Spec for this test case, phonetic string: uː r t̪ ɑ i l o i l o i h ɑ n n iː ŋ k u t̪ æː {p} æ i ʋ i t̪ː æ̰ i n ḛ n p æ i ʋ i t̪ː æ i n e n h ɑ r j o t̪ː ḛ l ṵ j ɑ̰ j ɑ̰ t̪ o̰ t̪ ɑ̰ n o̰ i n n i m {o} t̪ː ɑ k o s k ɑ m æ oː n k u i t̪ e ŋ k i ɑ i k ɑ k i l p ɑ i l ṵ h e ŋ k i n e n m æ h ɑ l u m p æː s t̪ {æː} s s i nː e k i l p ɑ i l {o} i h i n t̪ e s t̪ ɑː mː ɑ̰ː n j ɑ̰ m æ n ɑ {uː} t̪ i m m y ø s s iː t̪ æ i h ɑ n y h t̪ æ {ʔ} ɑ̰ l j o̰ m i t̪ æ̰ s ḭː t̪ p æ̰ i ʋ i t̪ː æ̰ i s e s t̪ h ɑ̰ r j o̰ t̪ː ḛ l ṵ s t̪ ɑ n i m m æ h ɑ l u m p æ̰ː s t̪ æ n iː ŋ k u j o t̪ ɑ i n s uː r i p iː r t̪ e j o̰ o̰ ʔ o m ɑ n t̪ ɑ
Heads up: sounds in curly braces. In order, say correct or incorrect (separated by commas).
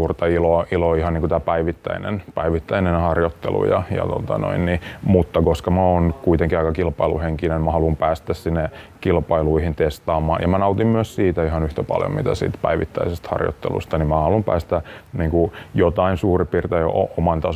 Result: correct, incorrect, incorrect, incorrect, incorrect, incorrect